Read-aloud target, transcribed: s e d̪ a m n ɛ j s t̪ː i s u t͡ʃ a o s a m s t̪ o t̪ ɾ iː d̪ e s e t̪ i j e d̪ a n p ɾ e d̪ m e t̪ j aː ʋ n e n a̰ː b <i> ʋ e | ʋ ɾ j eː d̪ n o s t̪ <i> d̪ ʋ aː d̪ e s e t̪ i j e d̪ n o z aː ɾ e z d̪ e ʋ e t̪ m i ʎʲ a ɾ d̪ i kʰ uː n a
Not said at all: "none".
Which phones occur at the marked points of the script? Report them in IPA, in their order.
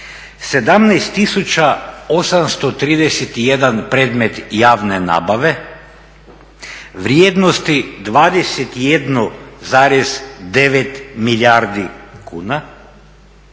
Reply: a, i

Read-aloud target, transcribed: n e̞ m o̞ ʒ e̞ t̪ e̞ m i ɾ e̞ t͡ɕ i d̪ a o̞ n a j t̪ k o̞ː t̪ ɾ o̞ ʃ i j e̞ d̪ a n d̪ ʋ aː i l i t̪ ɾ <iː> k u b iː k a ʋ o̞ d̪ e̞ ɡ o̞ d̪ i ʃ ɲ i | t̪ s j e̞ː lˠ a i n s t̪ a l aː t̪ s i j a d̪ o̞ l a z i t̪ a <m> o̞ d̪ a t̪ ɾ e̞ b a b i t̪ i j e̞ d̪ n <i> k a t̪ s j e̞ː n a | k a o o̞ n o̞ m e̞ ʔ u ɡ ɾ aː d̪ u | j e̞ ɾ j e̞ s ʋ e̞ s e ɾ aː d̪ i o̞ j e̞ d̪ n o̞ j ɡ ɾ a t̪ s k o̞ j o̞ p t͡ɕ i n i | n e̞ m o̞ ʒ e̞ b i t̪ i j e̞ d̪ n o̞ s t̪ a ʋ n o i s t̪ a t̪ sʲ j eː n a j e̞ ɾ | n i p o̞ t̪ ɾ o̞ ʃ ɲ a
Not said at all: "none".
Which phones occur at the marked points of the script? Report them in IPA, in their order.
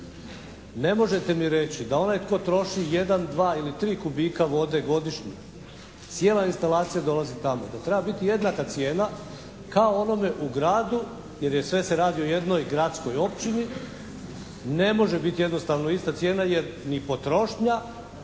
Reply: iː, m, a

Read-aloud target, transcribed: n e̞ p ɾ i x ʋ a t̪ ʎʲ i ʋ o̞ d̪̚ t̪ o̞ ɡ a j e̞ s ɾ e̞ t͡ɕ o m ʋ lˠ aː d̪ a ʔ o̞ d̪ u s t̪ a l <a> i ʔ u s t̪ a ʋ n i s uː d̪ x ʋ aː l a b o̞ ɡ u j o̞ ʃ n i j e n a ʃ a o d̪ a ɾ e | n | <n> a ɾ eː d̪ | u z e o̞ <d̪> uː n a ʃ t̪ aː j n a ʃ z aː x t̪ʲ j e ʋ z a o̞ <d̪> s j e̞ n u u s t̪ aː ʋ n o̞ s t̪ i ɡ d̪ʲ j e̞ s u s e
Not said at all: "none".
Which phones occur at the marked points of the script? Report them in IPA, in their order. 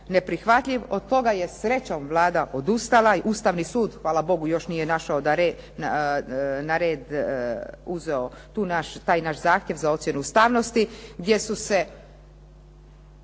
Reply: a, n, t̪, t̪

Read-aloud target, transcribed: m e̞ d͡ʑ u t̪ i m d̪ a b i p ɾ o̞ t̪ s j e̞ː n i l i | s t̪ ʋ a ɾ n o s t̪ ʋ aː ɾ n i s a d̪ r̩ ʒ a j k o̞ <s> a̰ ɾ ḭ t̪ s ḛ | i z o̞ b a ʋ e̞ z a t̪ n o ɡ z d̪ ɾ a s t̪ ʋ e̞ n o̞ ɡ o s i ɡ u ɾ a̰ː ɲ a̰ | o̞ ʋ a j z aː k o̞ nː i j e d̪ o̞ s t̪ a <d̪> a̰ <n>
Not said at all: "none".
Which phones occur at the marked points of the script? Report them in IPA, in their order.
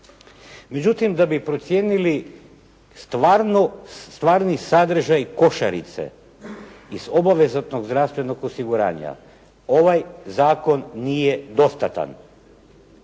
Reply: ʃ, t̪, n

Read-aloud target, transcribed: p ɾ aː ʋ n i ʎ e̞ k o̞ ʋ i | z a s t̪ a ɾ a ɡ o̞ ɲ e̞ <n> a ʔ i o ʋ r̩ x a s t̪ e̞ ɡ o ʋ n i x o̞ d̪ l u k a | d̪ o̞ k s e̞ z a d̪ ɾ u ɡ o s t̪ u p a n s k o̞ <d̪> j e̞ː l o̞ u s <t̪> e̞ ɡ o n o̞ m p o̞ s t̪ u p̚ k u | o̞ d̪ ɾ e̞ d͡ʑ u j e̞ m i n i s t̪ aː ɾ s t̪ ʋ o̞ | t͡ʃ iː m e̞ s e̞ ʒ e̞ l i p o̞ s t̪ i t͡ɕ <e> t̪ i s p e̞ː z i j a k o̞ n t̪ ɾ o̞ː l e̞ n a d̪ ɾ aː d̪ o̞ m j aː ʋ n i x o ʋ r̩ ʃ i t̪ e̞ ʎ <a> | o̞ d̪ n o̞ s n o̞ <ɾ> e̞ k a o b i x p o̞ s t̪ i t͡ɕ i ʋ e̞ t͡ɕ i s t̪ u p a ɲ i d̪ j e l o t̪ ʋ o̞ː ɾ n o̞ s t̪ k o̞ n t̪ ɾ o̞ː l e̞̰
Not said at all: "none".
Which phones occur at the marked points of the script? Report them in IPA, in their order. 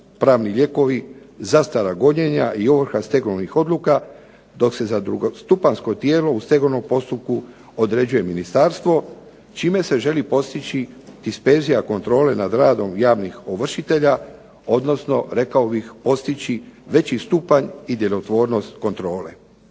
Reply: ɲ, t̪, t̪, i, a, ɾ

